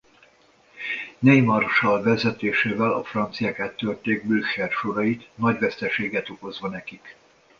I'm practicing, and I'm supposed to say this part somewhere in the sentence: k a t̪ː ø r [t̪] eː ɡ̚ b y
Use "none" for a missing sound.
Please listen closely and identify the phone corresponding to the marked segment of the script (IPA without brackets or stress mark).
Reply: t̪